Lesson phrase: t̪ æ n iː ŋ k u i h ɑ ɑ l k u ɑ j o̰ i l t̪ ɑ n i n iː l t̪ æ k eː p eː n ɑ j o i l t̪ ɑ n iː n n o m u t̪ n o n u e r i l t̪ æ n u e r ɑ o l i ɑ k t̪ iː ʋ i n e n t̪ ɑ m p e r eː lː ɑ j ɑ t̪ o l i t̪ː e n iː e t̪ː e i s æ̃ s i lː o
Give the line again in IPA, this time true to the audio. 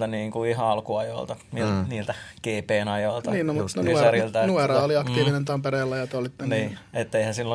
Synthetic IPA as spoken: t̪ æ n iː ŋ k u i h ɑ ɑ l k u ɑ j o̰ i l t̪ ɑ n i n iː l t̪ æ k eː p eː n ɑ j o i l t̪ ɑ n iː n n o m u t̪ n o n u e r i l t̪ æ n u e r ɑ o l i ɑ k t̪ iː ʋ i n e n t̪ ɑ m p e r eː lː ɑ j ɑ t̪ o l i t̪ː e n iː e t̪ː e i h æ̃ s i lː o